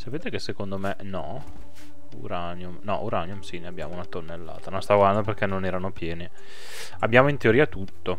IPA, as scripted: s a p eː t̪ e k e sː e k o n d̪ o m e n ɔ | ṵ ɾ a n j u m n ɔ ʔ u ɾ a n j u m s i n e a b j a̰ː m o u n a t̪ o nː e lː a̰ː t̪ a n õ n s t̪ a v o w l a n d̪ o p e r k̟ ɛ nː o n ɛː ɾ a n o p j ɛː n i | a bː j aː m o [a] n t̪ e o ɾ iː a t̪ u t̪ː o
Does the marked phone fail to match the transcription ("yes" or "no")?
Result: yes